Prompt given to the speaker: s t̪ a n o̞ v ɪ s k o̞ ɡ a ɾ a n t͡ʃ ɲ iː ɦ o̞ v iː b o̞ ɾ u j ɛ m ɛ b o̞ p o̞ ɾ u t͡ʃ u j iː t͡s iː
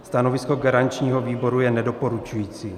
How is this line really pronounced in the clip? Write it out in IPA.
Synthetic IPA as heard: s t̪ a n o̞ v ɪ s k o̞ ɡ a ɾ a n t͡ʃ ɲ iː ɦ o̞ v iː b o̞ ɾ u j ɛ n ɛ d o̞ p o̞ ɾ u t͡ʃ u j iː t͡s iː